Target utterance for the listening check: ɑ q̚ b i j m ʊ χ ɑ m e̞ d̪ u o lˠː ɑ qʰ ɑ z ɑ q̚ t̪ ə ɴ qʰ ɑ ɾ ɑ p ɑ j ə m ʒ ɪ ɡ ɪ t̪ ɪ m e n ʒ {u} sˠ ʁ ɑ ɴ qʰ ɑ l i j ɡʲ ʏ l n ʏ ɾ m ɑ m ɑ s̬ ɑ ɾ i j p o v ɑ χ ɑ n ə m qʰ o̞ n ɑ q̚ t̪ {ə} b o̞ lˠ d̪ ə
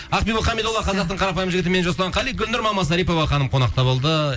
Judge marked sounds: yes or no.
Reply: no, no

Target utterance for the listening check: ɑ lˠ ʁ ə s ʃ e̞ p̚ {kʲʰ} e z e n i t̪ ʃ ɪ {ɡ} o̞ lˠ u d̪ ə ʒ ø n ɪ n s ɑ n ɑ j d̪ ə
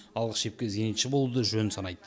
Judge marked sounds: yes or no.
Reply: no, no

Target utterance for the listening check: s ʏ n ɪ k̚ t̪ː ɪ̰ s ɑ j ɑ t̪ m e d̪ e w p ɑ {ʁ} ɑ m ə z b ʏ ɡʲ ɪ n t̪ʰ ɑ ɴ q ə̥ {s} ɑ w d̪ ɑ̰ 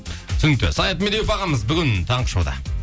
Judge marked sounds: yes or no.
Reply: yes, no

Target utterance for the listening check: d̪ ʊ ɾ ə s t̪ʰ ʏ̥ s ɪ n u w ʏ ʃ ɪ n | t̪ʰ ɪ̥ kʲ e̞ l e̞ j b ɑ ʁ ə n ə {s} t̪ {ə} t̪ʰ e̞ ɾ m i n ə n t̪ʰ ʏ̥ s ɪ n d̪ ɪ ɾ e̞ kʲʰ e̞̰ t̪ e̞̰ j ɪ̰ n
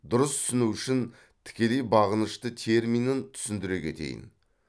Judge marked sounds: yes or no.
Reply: no, yes

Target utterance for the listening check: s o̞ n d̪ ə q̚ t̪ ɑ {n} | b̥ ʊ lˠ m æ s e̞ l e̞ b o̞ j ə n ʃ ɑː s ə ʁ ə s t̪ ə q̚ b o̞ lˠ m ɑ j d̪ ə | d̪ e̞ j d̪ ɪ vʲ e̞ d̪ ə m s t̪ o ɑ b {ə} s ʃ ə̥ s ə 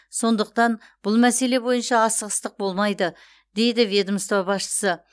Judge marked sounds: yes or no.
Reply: yes, no

